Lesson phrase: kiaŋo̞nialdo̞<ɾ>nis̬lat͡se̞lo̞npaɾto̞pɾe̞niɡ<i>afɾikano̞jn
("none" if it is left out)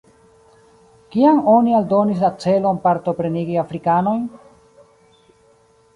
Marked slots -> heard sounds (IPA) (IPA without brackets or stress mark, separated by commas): none, i